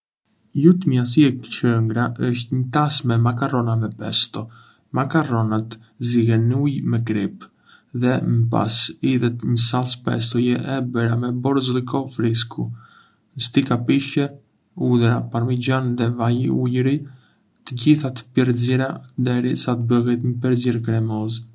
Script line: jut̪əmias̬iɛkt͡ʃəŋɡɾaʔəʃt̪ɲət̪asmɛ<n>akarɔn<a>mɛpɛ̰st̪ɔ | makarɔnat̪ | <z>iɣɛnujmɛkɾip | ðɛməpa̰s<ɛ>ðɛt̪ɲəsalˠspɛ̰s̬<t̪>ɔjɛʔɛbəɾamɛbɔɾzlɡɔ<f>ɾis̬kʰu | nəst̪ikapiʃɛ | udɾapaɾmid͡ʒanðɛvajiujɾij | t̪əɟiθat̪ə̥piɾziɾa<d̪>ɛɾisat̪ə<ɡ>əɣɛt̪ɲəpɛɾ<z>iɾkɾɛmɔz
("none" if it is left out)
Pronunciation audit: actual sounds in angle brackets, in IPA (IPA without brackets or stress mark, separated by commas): m, a, z, i, t̪, f, d̪, b, z